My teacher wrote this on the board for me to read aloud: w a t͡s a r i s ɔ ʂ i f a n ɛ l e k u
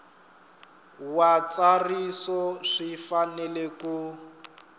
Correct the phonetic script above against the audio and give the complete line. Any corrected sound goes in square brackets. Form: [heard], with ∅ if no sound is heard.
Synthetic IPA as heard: w a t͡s a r i s ɔ ʂ i f a n ɛ l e k u